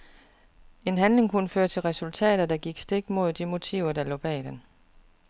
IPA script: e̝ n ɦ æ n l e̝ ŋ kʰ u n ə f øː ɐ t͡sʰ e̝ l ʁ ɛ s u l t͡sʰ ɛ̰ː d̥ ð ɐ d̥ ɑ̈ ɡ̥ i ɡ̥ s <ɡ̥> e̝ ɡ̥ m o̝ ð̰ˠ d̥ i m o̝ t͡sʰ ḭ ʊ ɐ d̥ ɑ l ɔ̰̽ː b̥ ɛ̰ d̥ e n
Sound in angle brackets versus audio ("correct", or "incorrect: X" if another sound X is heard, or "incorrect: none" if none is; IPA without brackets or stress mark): incorrect: d̥